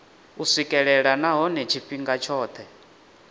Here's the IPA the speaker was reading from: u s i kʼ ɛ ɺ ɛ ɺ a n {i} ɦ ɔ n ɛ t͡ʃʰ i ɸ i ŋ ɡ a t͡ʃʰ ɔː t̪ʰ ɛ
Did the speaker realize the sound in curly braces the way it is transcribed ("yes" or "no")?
no